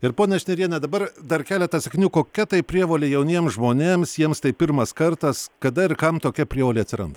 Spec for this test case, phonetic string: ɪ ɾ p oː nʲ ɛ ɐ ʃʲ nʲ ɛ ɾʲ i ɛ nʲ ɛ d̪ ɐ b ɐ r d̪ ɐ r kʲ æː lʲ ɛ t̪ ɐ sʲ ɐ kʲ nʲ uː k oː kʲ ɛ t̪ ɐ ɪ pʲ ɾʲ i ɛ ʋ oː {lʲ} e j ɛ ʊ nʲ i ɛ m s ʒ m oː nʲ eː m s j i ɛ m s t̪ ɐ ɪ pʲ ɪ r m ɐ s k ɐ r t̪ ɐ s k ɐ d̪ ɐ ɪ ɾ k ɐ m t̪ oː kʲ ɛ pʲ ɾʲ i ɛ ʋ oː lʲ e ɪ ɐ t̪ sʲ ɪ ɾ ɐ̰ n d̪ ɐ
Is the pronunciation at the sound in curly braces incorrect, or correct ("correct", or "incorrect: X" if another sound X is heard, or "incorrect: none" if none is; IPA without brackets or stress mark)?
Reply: correct